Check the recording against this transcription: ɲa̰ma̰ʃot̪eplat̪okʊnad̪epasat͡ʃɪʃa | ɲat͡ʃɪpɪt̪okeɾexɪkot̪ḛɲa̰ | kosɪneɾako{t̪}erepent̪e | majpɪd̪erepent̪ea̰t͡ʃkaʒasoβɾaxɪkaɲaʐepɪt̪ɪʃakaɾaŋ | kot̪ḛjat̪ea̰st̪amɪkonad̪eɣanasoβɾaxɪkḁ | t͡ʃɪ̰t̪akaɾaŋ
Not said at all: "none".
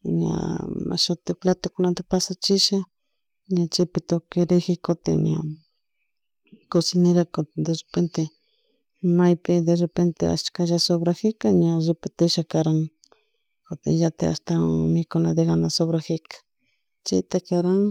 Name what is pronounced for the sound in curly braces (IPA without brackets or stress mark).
d̪